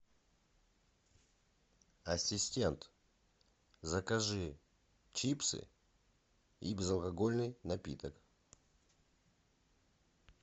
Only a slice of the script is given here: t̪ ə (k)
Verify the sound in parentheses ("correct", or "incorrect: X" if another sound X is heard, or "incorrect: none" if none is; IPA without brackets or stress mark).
correct